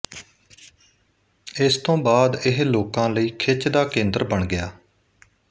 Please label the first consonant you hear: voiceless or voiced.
voiceless